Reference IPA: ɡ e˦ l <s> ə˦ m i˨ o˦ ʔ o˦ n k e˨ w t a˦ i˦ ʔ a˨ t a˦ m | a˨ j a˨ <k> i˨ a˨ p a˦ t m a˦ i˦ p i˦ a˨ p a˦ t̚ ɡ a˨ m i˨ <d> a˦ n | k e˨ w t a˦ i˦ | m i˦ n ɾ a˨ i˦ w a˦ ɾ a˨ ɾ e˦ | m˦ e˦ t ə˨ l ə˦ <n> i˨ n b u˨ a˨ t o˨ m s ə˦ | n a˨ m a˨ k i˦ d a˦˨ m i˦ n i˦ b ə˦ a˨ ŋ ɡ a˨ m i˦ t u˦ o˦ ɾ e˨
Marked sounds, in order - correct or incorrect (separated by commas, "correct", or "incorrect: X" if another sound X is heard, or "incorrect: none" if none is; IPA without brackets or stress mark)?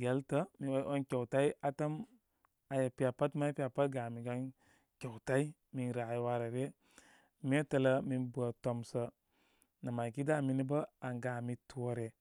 incorrect: t, incorrect: p, incorrect: ɡ, incorrect: m